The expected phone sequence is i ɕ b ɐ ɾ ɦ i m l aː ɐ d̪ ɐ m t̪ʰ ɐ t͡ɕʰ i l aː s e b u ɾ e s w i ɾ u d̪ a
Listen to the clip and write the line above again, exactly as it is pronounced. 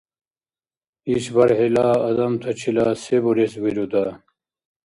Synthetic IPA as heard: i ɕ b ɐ ɾ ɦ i l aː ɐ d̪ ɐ m t̪ʰ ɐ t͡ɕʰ i l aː s e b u ɾ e s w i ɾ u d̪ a